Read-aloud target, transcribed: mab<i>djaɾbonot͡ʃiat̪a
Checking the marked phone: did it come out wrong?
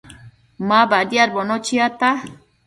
yes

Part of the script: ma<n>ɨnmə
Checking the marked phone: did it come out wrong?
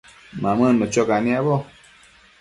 yes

